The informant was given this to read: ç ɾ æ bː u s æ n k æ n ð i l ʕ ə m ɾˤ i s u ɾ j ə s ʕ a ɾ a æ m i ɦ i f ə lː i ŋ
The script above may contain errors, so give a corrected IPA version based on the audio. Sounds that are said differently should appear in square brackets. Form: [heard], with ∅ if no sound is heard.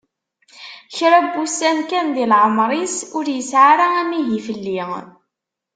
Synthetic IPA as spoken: ç ɾ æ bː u s æ n k æ n ð i l ʕ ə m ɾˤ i s [ʊ] ɾ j ə s ʕ a ɾ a æ m i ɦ i f ə lː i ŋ